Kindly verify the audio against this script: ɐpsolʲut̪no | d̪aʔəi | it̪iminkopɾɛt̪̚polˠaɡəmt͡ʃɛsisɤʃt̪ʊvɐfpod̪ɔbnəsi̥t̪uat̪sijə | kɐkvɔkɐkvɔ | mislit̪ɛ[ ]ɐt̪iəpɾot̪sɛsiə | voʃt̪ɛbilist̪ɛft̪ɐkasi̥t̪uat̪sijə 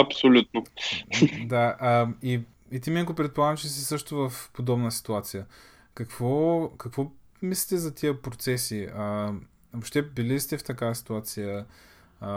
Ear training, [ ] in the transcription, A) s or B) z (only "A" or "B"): B